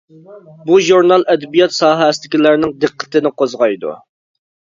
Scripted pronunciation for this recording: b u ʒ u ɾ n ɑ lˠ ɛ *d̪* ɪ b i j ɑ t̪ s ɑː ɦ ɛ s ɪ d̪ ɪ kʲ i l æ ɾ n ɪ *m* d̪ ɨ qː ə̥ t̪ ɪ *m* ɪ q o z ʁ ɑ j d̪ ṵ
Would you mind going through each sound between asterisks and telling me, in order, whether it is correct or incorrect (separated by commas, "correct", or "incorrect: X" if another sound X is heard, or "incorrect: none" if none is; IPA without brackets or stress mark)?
correct, incorrect: ŋ, incorrect: n